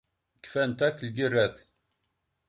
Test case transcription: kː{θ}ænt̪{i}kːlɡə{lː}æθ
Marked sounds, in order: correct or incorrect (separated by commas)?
incorrect, incorrect, incorrect